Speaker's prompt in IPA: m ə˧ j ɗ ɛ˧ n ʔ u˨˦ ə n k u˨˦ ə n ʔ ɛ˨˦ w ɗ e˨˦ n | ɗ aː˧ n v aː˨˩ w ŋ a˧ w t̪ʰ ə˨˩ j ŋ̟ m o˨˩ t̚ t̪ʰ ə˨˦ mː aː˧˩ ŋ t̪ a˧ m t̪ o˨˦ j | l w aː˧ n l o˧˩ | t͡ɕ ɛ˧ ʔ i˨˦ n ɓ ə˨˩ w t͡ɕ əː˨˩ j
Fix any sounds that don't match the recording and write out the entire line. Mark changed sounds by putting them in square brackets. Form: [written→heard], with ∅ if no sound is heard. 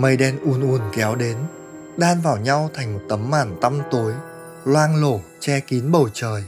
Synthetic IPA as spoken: m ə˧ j ɗ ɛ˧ n ʔ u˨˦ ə n [k→ʔ] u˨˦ ə n [ʔ→k] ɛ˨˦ w ɗ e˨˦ n | ɗ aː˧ n v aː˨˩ w [ŋ→ɲ] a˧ w t̪ʰ [ə˨˩→a˨˩] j ŋ̟ m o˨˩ t̚ [t̪ʰ→t̪] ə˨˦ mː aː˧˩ [ŋ→n] t̪ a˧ m t̪ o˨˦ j | l w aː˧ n l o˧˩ | t͡ɕ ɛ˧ [ʔ→k] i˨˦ n ɓ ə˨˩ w t͡ɕ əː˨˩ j